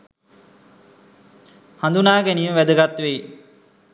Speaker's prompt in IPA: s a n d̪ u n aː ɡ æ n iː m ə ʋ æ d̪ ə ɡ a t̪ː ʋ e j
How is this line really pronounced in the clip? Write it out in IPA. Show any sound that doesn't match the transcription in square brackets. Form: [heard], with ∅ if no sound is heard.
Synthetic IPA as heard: [h] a n d̪ u n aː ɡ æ n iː m ə ʋ æ d̪ ə ɡ a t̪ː ʋ e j

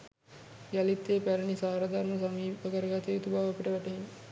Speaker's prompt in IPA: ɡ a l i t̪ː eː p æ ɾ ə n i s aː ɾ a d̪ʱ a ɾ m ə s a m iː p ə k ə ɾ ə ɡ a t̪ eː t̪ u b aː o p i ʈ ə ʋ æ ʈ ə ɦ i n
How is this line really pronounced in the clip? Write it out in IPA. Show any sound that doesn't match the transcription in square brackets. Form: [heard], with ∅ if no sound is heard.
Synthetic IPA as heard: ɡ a l i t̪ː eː p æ ɾ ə n i s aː ɾ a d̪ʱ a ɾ m ə s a m iː p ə k ə ɾ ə ɡ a t̪ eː t̪ u b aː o p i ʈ ə ʋ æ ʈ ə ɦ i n

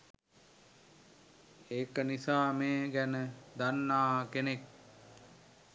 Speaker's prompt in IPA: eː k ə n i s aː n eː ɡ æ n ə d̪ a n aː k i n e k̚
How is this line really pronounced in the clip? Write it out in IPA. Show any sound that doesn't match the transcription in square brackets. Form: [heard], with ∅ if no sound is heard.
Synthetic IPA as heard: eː k ə n i s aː [m] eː ɡ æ n ə d̪ a [nː] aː k [e] n e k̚

